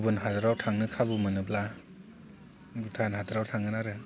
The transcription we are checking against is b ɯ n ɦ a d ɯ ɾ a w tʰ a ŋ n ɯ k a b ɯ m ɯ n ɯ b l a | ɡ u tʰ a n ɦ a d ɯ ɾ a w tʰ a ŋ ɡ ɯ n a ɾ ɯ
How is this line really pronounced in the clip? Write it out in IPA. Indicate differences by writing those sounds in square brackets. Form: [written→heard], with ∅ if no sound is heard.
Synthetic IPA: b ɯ n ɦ a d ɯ ɾ a w tʰ a ŋ n ɯ [k→kʰ] a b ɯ m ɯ n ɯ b l a | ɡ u tʰ a n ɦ a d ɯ ɾ a w tʰ a ŋ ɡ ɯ n a ɾ ɯ

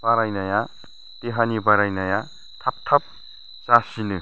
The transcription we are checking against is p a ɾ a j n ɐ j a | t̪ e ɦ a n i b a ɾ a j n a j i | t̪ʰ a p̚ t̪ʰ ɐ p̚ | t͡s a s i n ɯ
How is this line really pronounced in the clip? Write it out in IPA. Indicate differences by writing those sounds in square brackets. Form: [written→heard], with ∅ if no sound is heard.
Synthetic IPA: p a ɾ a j n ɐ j a | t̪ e ɦ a n i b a ɾ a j n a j [i→a] | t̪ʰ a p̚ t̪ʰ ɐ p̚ | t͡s a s i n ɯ

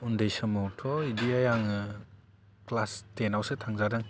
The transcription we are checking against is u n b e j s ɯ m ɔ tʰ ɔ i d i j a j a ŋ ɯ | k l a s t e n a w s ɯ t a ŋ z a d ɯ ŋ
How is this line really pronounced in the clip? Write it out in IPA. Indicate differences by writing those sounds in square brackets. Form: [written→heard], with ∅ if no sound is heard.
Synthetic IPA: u n [b→d] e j s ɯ m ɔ tʰ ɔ i d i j a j a ŋ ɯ | k l a s t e n a w s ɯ [t→tʰ] a ŋ z a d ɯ ŋ

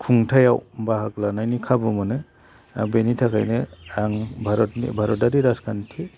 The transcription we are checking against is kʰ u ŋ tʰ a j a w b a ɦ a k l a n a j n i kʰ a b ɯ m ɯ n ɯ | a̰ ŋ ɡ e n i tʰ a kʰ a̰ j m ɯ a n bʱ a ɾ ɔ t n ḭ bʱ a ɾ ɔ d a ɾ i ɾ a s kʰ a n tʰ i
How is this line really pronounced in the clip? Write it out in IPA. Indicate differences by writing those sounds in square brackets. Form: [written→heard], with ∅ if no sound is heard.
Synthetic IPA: kʰ u ŋ tʰ a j a w b a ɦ a k l a n a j n i kʰ a b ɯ m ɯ n ɯ | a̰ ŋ [ɡ→b] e n i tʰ a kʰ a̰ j [m→n] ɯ a [n→ŋ] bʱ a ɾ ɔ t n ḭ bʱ a ɾ ɔ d a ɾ i ɾ a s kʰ a n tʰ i

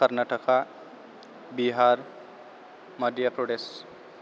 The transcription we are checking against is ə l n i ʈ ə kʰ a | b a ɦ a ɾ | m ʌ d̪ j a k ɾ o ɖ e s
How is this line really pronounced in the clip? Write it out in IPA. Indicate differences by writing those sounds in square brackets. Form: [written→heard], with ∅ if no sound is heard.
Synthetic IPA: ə [l→ɾ] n [i→a] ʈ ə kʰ a | b [a→i] ɦ a ɾ | m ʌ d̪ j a [k→p] ɾ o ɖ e s

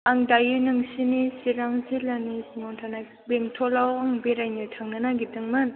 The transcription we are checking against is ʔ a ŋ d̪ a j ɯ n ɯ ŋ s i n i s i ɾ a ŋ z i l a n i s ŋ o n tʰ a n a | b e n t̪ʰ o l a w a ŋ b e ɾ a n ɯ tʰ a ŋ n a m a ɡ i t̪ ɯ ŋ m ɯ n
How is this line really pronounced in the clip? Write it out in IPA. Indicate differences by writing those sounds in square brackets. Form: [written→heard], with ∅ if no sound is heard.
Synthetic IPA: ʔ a ŋ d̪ a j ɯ n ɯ ŋ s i n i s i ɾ a ŋ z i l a n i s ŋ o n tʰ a n a | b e [n→ŋ] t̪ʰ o l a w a ŋ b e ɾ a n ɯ tʰ a ŋ n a [m→n] a ɡ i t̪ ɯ ŋ m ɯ n

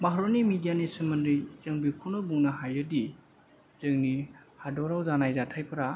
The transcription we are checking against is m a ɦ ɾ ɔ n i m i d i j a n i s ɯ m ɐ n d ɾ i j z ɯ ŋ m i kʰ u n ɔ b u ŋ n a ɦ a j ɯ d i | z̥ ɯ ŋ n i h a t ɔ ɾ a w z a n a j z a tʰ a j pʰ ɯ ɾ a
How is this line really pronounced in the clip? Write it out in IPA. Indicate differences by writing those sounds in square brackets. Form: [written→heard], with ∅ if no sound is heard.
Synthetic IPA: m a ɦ ɾ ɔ n i m i d i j a n i s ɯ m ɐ n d ɾ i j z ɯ ŋ [m→b] i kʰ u n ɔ b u ŋ n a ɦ a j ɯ d i | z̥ ɯ ŋ n i h a [t→d] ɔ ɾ a w z a n a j z a tʰ a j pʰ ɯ ɾ a

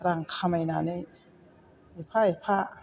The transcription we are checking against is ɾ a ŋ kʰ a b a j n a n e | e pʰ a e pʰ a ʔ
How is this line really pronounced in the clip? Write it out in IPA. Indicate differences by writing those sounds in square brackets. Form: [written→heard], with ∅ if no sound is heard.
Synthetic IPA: ɾ a ŋ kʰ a [b→m] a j n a n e | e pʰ a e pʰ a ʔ

